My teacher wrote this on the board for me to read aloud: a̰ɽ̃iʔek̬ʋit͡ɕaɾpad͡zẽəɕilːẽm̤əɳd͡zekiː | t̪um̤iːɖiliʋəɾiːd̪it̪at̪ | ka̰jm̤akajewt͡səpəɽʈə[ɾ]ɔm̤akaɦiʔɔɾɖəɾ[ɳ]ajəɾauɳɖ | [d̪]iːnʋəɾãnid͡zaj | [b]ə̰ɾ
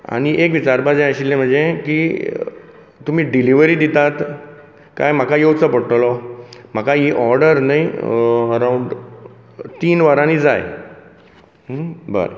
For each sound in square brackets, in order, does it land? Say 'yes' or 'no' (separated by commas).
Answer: no, no, no, yes